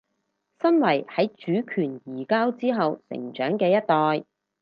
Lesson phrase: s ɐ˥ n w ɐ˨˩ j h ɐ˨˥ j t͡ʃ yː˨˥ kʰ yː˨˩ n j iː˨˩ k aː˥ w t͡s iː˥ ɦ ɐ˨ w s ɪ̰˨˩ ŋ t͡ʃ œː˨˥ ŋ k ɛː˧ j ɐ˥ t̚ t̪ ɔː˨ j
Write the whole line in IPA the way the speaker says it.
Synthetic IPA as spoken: s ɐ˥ n w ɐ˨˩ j h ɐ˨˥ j t͡ʃ yː˨˥ kʰ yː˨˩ n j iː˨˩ k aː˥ w t͡s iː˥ ɦ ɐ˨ w s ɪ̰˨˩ ŋ t͡ʃ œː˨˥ ŋ k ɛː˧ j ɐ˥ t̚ t̪ ɔː˨ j

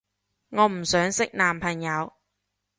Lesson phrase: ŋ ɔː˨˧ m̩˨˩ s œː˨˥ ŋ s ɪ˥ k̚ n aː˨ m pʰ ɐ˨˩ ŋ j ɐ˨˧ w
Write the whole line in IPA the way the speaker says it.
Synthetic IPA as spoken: ŋ ɔː˨˧ m̩˨˩ s œː˨˥ ŋ s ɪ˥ k̚ n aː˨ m pʰ ɐ˨˩ ŋ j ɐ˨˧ w

